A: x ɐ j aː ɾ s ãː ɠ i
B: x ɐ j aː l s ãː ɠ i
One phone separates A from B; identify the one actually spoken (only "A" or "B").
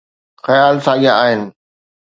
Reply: B